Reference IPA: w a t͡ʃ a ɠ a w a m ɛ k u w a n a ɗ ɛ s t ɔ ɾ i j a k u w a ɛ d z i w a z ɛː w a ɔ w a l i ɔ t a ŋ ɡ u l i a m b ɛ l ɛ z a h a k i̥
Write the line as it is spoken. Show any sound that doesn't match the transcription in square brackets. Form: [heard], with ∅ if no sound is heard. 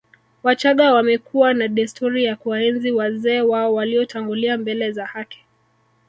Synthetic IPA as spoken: w a t͡ʃ a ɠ a w a m ɛ k u w a n a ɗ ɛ s t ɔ ɾ i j a k u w a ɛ [n] z i w a z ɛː w a ɔ w a l i ɔ t a ŋ ɡ u l i a m b ɛ l ɛ z a h a k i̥